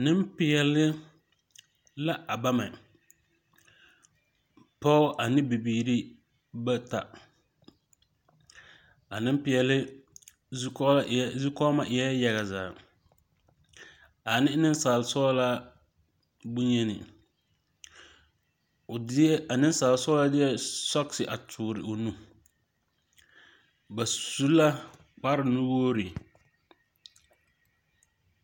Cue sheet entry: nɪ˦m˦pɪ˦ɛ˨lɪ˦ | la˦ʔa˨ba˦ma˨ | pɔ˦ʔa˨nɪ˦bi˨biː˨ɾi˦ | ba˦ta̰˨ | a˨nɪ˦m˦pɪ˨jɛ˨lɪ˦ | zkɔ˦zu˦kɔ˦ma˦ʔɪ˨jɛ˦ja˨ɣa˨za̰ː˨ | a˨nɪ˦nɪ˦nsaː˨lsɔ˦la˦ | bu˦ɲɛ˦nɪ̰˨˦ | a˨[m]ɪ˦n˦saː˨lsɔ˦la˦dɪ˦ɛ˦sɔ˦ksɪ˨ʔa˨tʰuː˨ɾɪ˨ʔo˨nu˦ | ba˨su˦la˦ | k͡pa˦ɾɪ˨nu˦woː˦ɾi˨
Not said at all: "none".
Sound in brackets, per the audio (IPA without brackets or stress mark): n